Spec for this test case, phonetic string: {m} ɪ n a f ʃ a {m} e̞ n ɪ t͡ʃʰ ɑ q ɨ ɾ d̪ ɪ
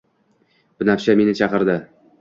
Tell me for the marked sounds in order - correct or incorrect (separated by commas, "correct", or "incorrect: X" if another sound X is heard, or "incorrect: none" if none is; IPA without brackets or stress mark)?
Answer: incorrect: b, correct